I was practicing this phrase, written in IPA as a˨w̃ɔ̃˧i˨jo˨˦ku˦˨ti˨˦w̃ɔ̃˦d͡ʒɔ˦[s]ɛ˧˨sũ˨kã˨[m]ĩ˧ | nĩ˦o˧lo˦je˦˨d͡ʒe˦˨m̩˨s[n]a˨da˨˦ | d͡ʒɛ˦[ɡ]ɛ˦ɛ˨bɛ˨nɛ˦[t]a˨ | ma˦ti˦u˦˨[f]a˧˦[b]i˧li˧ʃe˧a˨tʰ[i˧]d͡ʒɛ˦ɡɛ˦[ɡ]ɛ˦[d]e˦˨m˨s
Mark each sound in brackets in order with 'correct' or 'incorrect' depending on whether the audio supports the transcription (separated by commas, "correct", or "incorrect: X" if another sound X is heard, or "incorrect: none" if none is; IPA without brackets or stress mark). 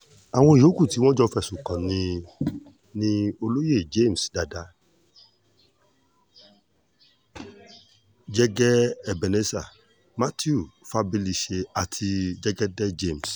incorrect: f, incorrect: n, incorrect: d, correct, incorrect: s, correct, correct, correct, incorrect: d, incorrect: d͡ʒ